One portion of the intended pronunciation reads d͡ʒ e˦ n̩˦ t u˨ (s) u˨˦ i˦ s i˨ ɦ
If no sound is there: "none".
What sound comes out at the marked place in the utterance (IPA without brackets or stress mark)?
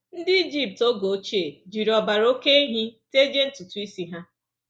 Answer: t